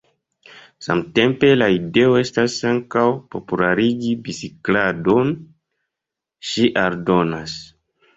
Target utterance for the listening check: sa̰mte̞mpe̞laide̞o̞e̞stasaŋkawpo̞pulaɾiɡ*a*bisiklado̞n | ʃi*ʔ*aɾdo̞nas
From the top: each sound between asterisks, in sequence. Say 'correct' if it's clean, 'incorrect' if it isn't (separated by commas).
incorrect, correct